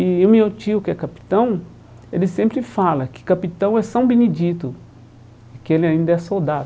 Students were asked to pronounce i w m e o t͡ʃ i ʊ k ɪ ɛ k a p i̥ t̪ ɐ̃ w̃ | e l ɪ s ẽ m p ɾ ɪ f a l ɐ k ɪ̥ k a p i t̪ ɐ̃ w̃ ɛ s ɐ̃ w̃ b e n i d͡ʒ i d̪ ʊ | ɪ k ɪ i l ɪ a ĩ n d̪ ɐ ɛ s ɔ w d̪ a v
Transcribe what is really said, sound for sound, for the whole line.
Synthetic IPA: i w m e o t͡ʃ i ʊ k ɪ ɛ k a p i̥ t̪ ɐ̃ w̃ | e l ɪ s ẽ m p ɾ ɪ f a l ɐ k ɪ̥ k a p i t̪ ɐ̃ w̃ ɛ s ɐ̃ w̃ b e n i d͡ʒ i t̪ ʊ | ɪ k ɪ e l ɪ a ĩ n d̪ ɐ ɛ s o w d̪ a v